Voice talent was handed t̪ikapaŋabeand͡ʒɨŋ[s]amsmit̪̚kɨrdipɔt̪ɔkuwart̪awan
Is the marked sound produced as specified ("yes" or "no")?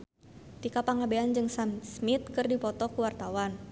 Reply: yes